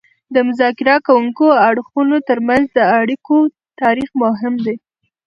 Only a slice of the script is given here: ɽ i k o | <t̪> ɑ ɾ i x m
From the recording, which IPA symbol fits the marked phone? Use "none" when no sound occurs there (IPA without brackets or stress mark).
t̪